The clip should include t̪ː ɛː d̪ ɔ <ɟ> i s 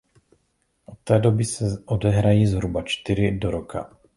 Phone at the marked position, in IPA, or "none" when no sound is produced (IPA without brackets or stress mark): b